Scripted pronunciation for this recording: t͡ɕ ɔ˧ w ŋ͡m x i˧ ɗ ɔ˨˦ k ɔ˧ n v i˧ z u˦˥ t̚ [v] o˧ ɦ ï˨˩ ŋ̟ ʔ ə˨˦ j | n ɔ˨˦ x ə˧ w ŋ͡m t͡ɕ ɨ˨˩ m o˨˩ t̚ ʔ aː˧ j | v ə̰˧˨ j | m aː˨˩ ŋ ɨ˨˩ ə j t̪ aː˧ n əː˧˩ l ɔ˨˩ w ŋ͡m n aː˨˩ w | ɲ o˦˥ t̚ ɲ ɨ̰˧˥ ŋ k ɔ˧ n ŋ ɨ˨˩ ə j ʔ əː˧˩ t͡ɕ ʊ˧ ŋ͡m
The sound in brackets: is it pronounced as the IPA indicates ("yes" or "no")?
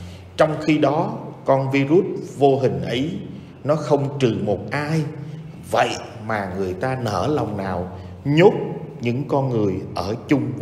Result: yes